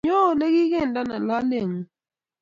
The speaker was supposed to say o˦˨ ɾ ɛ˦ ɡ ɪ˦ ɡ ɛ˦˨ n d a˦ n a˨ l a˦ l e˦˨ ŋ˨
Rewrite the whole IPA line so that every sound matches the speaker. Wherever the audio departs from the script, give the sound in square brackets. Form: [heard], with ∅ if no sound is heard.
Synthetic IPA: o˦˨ [l] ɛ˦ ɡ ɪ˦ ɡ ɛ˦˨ n d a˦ n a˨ l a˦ l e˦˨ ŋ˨